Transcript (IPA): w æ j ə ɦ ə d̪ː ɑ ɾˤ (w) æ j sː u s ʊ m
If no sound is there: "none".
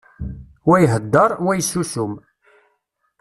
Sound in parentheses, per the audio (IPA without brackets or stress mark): w